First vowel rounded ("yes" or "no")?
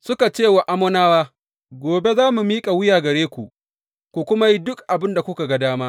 yes